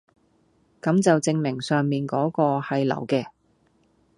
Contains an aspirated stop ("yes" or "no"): no